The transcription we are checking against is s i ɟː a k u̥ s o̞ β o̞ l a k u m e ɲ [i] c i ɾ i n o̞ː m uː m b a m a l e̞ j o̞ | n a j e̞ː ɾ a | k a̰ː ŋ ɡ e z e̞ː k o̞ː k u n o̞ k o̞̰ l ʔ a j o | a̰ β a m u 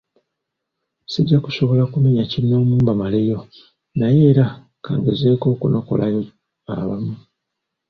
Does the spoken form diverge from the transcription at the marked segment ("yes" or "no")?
yes